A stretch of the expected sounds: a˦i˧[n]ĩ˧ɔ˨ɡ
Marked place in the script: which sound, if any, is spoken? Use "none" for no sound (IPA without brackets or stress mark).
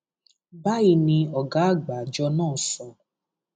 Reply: n